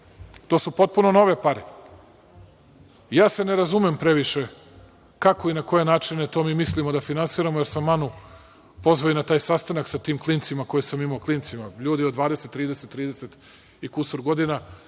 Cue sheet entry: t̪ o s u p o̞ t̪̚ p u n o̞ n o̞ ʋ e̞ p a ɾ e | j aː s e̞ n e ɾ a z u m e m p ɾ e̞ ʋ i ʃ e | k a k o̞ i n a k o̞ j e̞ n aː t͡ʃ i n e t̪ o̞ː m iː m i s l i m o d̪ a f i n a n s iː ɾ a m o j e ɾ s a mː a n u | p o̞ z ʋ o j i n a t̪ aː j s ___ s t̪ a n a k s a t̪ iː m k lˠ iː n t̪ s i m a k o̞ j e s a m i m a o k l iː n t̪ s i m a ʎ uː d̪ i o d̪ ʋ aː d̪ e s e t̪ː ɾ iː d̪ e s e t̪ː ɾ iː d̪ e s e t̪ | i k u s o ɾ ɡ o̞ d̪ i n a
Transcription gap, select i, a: a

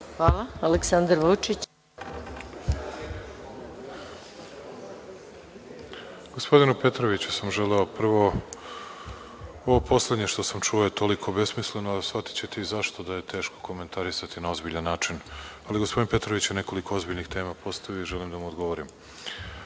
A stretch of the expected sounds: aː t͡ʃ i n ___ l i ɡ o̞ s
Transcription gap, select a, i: a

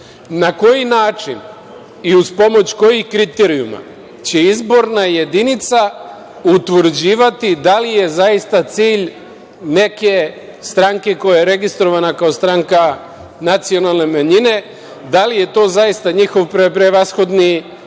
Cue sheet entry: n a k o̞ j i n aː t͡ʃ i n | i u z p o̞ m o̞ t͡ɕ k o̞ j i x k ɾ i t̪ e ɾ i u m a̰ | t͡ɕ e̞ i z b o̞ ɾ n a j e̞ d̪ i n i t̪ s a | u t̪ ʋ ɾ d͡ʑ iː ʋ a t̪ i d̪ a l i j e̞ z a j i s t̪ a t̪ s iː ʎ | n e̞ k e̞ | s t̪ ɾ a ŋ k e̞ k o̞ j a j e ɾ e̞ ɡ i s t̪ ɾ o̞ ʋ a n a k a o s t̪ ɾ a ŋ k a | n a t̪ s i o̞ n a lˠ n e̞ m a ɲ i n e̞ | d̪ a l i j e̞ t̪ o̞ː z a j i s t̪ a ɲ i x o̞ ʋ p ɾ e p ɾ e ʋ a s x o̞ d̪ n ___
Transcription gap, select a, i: i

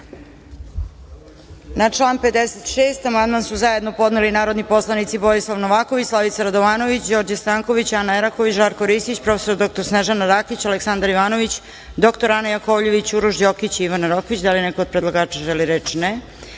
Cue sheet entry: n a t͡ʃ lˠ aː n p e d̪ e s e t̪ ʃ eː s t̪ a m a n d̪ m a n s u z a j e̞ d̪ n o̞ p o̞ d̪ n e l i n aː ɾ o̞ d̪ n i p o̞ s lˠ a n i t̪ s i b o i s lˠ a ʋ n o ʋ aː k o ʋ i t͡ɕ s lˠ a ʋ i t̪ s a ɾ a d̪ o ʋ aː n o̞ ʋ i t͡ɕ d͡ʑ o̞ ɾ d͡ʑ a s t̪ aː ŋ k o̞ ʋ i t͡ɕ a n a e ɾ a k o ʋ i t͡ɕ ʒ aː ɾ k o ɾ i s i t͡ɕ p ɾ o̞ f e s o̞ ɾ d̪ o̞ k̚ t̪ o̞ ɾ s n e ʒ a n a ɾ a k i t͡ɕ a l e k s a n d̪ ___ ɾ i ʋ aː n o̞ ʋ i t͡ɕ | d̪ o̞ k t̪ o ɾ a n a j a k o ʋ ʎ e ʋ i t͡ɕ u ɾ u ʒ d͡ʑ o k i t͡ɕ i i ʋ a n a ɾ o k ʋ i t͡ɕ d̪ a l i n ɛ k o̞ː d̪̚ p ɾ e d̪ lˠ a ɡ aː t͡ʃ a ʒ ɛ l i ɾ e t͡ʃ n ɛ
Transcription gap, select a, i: a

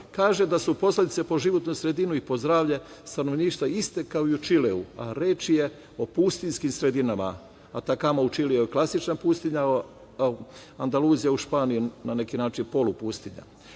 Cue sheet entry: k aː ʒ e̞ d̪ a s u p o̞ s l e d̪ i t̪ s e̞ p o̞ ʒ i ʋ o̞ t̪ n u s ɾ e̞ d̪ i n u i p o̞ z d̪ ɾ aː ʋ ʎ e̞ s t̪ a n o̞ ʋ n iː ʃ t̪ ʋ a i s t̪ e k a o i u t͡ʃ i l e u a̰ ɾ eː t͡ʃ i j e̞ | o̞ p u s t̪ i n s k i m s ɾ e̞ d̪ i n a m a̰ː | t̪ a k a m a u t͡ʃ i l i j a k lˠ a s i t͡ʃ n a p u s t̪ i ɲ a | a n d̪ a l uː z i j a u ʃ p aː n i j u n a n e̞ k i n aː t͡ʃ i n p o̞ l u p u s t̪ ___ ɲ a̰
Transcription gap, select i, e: i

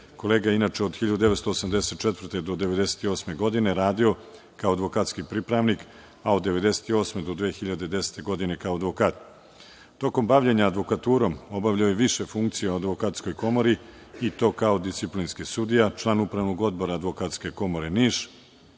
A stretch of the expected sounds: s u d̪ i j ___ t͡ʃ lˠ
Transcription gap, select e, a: a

